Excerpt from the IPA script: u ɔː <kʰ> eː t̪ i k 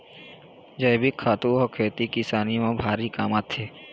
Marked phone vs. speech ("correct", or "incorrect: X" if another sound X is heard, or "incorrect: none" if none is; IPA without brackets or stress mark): correct